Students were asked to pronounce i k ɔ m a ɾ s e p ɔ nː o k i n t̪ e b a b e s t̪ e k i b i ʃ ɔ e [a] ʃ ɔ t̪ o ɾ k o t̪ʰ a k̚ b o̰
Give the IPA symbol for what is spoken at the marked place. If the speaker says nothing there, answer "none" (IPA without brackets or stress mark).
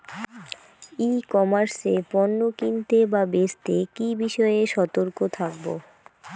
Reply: e